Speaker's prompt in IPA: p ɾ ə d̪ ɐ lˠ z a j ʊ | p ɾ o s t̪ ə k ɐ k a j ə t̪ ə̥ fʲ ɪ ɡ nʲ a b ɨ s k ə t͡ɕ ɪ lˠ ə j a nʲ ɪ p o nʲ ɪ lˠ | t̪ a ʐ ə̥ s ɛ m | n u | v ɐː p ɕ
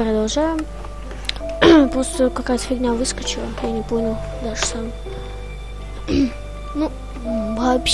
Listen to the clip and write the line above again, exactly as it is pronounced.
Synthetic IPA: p ɾ ə d̪ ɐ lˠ ʐ a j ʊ | p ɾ o s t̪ ə k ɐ k a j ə t̪ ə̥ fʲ ɪ ɡ nʲ a v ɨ s k ə t͡ɕ ɪ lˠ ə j a nʲ ɪ p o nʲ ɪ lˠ | d̪ a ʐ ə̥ s a m | n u | v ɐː p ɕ